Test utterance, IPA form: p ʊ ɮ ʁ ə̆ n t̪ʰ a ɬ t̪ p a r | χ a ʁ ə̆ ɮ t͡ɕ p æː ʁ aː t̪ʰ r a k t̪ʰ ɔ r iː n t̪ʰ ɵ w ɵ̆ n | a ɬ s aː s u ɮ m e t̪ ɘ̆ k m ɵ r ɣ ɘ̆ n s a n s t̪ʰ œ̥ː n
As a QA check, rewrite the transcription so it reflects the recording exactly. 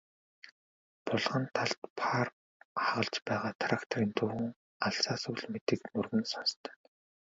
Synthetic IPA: p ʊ ɮ ʁ ə̆ n t̪ʰ a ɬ t̪ pʰ a r | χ a ʁ ə̆ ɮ t͡ɕ p æː ʁ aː t̪ʰ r a k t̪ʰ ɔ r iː n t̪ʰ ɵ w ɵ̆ ŋ | a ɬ s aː s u ɮ m e t̪ ɘ̆ k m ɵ r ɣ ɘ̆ n s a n s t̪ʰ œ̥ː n